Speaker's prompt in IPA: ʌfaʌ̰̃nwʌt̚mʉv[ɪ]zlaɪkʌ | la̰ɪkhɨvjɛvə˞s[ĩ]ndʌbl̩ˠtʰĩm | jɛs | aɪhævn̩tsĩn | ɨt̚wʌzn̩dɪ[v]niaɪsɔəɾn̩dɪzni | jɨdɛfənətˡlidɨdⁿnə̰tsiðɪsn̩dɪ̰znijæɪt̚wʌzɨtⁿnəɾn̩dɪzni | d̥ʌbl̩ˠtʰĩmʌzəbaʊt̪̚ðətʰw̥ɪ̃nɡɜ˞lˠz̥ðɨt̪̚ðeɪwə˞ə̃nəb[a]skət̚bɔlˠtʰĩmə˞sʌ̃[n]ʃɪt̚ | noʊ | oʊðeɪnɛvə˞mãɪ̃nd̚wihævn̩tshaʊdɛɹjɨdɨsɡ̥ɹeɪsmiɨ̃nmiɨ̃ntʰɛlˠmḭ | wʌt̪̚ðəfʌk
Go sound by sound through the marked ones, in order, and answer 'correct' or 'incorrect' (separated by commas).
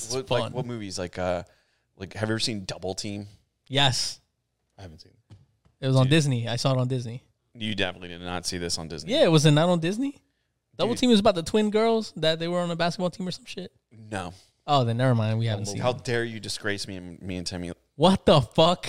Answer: incorrect, correct, incorrect, incorrect, incorrect